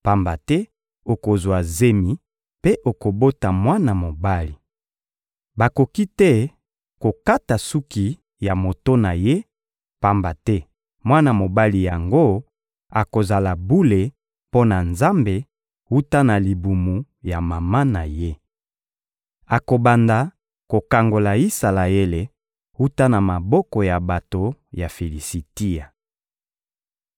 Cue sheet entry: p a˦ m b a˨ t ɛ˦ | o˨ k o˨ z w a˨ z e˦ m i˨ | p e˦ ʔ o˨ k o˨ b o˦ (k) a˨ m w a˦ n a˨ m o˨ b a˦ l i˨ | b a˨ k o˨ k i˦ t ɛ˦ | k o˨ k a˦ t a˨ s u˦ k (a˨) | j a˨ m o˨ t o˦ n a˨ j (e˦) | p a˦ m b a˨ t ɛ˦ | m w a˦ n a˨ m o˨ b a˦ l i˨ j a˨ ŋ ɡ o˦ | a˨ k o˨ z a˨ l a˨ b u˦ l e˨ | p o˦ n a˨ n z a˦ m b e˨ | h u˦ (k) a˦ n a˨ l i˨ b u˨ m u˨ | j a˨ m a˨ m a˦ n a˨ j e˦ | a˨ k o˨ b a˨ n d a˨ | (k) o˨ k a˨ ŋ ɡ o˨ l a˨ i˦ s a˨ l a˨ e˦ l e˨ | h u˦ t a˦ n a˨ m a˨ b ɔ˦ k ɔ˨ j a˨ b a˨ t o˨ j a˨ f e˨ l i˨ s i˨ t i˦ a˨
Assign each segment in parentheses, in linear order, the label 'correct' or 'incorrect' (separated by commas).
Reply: incorrect, incorrect, correct, incorrect, correct